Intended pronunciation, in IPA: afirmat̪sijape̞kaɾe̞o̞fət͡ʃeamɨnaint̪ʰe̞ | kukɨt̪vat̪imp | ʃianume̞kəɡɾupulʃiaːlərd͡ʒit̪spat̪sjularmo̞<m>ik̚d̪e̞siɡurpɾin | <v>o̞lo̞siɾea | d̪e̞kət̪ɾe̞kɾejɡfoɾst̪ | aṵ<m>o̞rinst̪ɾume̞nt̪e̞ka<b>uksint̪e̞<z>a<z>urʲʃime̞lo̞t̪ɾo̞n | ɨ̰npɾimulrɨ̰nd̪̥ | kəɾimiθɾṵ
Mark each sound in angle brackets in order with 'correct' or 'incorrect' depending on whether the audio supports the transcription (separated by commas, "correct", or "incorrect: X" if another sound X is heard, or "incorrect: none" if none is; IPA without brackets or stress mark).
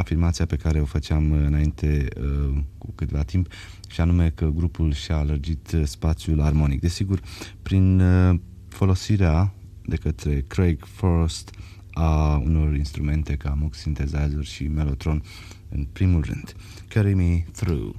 incorrect: n, incorrect: f, incorrect: n, incorrect: m, correct, correct